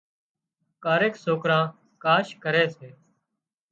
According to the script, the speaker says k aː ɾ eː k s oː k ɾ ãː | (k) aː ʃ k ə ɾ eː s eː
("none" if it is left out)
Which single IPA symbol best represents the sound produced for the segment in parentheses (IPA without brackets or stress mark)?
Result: k